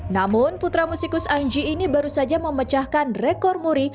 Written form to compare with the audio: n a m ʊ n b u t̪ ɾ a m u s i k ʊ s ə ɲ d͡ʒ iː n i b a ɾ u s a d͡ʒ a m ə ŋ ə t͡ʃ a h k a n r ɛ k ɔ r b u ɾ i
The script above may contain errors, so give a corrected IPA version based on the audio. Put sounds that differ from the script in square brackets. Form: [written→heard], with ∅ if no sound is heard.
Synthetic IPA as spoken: n a m ʊ n [b→p] u t̪ ɾ a m u s i k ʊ s [ə→a] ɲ d͡ʒ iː n i b a ɾ u s a d͡ʒ a m ə [ŋ→m] ə t͡ʃ a h k a n r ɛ k ɔ r [b→m] u ɾ i